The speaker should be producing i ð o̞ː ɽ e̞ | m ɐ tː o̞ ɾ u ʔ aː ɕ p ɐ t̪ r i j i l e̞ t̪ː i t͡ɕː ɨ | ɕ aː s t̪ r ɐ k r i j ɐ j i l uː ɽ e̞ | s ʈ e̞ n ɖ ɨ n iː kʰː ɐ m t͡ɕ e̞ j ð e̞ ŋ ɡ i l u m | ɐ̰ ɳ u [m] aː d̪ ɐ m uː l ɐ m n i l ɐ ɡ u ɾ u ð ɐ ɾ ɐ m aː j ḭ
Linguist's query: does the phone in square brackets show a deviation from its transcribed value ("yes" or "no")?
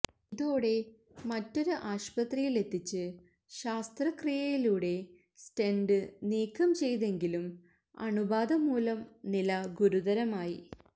yes